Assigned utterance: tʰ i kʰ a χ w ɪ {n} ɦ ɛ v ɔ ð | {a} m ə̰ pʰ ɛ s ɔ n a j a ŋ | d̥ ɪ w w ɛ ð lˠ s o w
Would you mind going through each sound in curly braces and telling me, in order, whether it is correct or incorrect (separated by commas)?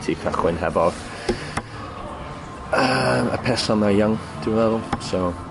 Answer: correct, incorrect